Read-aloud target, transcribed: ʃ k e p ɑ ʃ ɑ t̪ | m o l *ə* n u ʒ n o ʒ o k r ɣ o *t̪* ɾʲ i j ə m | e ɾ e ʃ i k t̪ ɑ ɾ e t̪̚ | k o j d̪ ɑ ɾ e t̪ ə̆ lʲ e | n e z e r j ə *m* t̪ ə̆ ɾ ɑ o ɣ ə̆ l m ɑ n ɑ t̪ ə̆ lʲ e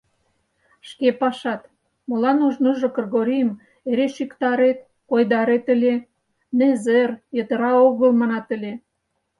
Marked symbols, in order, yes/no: no, no, no

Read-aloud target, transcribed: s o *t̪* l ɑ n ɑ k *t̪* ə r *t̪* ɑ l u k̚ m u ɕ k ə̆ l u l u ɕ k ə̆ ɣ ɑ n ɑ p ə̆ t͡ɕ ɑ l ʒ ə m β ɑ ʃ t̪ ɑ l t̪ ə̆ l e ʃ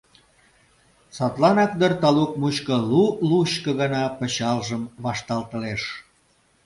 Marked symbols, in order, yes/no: yes, no, yes

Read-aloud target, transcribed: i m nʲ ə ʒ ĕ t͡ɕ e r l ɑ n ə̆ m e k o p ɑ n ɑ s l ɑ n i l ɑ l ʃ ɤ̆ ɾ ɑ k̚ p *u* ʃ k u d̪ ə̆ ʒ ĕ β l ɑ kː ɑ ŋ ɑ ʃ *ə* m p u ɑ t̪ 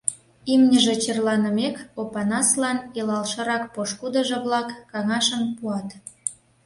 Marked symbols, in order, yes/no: no, yes

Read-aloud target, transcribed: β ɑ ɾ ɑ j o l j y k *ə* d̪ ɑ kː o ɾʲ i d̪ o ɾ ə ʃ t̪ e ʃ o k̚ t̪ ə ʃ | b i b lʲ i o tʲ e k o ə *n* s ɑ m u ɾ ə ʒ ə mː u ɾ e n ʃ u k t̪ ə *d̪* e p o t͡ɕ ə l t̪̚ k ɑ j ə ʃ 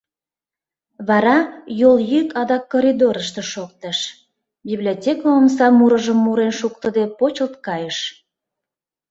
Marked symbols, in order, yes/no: no, no, yes

